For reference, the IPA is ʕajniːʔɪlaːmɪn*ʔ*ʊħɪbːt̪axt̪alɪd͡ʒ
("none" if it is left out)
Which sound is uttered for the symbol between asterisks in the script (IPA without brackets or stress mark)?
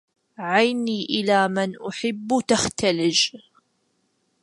ʔ